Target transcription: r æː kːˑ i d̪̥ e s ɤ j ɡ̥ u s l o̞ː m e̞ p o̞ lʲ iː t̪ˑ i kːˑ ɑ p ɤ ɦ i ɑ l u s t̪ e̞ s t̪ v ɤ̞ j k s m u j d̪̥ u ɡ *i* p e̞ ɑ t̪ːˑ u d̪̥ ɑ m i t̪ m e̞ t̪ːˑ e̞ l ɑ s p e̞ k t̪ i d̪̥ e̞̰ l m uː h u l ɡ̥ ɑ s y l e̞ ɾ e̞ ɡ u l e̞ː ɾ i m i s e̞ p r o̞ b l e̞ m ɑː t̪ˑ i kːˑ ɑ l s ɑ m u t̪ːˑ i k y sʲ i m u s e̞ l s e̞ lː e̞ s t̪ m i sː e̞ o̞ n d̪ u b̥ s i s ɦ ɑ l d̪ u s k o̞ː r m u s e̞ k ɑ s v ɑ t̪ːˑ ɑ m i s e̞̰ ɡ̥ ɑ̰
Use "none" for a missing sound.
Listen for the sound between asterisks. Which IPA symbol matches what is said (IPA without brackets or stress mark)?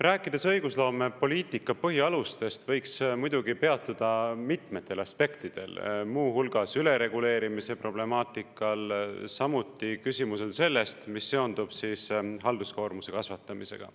i